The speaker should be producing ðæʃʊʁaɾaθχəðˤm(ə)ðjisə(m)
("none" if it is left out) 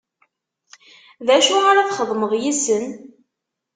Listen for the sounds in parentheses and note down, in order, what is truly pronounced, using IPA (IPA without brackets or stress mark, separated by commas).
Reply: ə, n